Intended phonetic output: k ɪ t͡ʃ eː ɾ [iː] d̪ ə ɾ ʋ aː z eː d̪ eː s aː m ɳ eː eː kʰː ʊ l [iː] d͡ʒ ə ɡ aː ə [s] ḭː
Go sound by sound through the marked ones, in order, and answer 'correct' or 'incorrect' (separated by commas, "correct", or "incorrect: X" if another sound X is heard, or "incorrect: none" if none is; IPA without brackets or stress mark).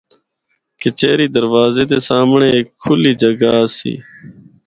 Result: correct, correct, correct